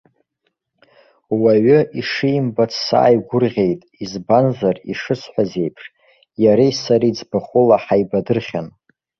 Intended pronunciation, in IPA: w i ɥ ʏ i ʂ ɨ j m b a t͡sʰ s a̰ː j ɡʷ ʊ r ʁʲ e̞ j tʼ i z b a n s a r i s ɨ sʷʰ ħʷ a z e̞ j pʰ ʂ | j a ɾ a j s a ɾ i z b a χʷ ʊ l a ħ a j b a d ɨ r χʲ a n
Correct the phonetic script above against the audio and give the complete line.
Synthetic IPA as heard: w a ɥ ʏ i ʂ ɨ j m b a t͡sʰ s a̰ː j ɡʷ ʊ r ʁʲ e̞ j tʼ i z b a n z a r i ʂ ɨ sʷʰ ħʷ a z e̞ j pʰ ʂ | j a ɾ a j s a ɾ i d͡z b a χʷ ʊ l a ħ a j b a d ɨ r χʲ a n